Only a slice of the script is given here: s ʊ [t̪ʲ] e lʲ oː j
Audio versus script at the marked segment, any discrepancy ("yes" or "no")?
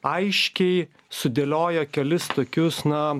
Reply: yes